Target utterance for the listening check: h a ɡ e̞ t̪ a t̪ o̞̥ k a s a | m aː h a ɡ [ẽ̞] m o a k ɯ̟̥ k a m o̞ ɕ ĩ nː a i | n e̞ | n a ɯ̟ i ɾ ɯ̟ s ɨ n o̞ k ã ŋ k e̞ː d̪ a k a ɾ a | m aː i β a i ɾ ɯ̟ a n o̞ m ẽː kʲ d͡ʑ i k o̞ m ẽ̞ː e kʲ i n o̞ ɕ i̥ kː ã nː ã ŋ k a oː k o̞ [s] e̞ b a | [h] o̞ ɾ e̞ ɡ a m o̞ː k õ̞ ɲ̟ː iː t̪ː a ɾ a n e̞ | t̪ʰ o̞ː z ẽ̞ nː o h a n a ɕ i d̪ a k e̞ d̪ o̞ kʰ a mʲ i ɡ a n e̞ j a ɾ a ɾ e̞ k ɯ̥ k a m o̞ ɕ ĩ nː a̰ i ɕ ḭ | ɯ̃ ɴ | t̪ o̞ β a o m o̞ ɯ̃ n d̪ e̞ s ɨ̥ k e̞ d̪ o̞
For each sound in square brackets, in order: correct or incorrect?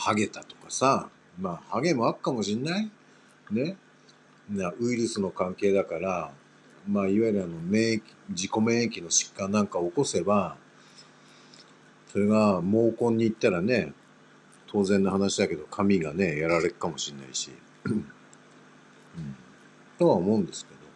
incorrect: e̞, correct, incorrect: s

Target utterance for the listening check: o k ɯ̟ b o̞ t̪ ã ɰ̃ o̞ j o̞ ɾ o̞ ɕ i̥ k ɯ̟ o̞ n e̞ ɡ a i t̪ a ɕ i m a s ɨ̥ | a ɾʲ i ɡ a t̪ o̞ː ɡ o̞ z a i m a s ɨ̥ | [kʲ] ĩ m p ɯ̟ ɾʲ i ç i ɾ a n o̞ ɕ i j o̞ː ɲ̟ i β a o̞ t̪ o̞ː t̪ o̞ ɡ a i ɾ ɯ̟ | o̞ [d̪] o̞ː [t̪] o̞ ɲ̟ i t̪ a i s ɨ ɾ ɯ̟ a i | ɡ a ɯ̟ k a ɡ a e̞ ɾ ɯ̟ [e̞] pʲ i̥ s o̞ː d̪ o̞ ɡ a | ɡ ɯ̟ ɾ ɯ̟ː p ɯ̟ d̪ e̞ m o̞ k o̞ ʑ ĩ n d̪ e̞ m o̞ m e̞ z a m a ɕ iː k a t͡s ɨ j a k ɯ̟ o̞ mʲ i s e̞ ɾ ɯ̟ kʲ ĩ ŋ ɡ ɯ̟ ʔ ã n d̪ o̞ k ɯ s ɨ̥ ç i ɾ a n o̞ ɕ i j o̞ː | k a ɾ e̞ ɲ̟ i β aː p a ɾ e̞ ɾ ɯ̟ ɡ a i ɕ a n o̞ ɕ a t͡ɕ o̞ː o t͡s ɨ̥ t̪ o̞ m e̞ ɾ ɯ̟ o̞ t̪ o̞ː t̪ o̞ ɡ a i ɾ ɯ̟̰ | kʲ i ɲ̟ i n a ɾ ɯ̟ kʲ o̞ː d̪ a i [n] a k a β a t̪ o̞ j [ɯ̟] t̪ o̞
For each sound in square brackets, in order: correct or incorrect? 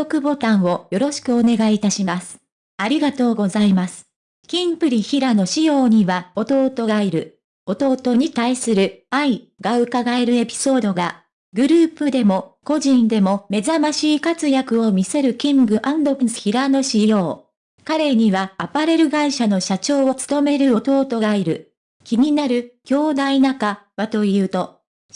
correct, incorrect: t̪, correct, correct, correct, incorrect: ɯ̟ː

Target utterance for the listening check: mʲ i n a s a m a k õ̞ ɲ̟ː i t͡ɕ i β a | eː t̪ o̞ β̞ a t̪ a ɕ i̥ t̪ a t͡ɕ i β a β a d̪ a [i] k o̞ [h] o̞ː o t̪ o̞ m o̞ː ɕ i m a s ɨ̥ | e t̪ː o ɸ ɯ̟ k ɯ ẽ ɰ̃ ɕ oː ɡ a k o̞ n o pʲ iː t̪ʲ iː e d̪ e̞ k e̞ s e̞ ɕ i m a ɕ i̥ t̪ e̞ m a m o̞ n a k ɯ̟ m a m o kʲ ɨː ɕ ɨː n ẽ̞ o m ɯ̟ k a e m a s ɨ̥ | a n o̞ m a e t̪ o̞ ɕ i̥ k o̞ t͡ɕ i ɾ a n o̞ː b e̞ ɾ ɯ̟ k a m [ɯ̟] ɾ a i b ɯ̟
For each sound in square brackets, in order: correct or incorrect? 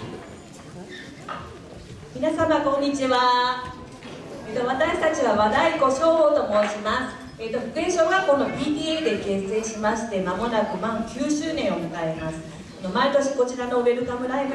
correct, incorrect: ɕ, correct

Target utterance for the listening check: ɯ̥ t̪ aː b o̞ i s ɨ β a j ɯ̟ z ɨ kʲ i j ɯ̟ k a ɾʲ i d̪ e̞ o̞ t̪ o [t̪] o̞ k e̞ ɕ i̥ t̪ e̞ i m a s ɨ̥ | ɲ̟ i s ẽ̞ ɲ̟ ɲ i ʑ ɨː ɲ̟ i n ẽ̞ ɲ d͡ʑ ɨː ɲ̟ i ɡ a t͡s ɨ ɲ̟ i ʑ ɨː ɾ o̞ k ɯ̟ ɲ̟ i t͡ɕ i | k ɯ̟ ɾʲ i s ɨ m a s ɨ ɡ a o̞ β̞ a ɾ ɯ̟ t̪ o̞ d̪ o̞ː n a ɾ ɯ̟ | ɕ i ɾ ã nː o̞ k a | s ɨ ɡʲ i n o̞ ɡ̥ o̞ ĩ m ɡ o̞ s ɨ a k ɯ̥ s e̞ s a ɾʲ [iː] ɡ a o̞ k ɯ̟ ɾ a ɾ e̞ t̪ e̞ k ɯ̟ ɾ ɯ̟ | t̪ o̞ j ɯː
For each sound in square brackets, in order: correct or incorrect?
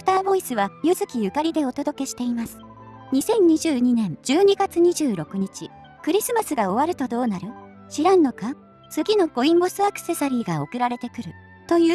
incorrect: d̪, correct

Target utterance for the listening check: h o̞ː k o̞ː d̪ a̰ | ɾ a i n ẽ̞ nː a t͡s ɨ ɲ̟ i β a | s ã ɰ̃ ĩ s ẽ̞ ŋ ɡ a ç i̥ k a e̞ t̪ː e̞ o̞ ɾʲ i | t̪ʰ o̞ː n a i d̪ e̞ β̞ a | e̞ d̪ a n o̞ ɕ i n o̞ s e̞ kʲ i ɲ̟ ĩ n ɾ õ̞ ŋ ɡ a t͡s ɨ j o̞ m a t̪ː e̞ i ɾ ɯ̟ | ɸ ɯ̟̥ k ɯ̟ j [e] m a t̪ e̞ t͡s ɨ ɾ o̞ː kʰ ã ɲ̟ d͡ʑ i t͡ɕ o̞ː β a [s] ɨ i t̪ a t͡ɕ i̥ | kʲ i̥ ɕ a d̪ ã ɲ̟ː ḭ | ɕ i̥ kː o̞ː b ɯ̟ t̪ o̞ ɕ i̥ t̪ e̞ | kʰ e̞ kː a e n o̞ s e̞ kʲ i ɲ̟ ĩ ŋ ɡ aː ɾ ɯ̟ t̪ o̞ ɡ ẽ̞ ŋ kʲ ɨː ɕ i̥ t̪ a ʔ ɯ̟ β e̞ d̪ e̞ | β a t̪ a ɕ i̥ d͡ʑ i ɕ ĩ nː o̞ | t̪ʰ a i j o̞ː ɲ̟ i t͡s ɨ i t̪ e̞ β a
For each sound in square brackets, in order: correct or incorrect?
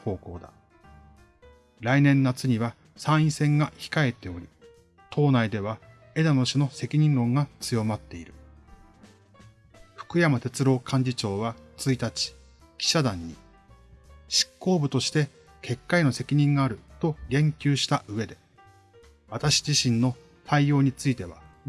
incorrect: a, incorrect: t͡s

